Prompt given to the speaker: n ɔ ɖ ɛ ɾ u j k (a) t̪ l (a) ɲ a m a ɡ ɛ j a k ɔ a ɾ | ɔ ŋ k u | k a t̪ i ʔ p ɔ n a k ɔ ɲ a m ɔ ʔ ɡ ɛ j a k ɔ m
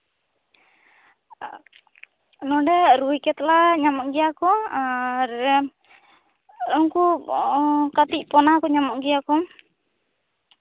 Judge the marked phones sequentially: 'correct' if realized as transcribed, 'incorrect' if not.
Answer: incorrect: ɛ, correct

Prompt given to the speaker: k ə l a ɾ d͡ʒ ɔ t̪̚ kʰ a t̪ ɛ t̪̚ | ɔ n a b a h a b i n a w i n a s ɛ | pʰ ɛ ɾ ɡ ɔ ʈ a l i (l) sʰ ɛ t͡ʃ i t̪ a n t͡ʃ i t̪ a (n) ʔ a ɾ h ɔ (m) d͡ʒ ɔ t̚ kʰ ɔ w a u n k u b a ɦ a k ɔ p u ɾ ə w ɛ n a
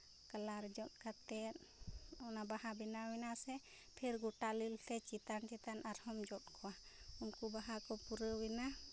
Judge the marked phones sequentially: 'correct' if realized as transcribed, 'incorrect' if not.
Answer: correct, correct, correct

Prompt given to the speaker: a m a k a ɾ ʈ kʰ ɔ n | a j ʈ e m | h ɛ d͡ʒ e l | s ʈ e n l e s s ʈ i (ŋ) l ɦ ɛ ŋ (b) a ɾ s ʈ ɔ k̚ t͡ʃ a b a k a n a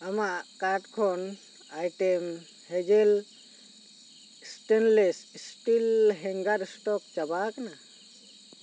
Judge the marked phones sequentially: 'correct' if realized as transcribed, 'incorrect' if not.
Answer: incorrect: none, incorrect: ɡ

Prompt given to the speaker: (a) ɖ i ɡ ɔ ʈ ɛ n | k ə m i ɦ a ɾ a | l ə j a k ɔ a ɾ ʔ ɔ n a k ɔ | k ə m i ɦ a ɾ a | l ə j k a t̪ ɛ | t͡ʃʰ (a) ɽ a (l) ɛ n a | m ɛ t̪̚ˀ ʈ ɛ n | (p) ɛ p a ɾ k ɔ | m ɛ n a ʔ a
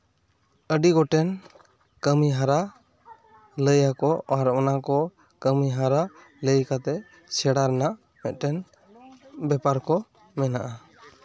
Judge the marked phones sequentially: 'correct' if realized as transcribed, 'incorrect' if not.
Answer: incorrect: ə, incorrect: ɛ, incorrect: ɾ, incorrect: b

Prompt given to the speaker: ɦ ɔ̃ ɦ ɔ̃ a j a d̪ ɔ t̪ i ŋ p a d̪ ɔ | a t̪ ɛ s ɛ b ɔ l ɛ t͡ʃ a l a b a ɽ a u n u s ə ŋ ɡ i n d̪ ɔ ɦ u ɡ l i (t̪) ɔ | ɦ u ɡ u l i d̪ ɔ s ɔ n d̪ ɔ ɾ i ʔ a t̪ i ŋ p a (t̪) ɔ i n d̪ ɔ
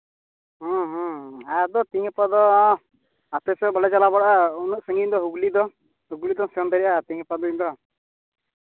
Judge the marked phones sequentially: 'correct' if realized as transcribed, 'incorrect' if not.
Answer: incorrect: d̪, incorrect: d̪

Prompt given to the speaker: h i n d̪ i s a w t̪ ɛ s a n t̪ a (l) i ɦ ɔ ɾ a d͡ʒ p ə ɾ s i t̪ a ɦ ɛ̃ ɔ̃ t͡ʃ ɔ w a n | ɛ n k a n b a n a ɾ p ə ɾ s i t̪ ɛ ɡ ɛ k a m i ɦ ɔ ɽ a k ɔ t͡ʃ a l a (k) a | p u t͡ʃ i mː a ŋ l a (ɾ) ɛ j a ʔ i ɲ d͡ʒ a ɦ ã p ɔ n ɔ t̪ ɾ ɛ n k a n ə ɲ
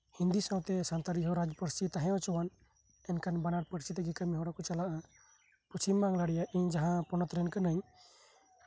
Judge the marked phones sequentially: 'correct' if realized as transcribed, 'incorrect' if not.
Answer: incorrect: ɾ, incorrect: ʔ, incorrect: ɽ

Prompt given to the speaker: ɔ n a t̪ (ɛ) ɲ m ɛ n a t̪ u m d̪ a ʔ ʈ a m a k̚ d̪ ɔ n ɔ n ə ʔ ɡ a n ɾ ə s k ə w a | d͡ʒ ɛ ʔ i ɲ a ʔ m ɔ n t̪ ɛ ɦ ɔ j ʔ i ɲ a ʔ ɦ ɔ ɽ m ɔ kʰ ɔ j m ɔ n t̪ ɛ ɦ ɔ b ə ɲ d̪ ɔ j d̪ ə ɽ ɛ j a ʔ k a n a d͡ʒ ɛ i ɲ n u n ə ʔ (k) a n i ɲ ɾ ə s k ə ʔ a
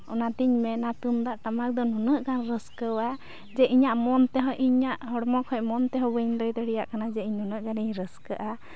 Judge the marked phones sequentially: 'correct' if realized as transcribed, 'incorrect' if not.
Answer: incorrect: i, incorrect: ɡ

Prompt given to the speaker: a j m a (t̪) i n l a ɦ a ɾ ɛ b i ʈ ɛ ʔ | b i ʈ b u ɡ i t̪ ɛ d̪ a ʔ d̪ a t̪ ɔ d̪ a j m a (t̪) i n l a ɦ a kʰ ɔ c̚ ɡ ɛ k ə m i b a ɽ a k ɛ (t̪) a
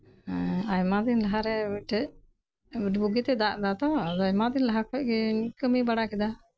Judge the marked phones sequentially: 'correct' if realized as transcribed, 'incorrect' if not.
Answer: incorrect: d̪, incorrect: d̪, incorrect: d̪

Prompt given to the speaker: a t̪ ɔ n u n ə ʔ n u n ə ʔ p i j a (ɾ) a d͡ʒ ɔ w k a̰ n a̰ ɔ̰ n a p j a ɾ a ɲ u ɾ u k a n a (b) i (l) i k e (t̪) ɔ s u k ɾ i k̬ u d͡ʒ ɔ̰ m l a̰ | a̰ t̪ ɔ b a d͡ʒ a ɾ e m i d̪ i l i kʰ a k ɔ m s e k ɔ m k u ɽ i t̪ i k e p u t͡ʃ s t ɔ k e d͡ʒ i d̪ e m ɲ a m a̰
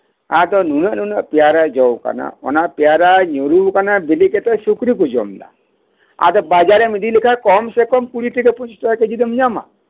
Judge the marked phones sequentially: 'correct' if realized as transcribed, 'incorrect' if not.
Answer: correct, correct, correct, correct

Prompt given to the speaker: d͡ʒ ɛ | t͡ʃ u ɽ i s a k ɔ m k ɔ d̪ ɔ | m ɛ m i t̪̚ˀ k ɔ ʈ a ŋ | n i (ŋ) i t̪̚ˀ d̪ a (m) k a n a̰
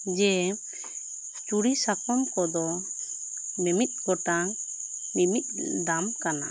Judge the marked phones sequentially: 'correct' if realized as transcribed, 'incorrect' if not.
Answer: incorrect: m, correct

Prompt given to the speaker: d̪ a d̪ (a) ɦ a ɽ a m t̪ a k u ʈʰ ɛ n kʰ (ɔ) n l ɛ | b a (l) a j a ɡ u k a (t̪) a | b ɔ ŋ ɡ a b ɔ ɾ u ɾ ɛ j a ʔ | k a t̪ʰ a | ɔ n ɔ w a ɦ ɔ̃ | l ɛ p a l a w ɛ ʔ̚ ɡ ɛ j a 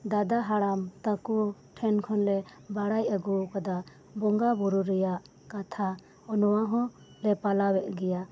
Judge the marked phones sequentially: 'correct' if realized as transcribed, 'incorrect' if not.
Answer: correct, correct, incorrect: ɽ, incorrect: d̪

